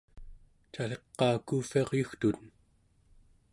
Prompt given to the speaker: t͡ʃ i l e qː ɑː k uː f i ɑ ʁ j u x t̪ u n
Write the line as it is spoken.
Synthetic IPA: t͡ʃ a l e qː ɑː k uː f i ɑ ʁ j u x t̪ u n